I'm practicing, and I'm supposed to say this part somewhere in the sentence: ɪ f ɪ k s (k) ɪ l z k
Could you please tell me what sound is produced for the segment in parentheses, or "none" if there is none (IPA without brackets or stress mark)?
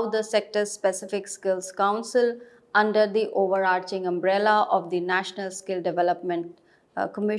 k